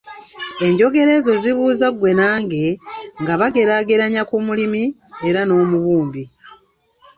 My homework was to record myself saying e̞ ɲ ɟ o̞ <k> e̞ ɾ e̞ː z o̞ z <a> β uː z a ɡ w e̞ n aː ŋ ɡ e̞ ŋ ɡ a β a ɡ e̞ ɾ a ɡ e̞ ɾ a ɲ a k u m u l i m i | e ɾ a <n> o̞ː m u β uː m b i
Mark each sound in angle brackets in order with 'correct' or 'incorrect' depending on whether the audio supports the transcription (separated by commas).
incorrect, incorrect, correct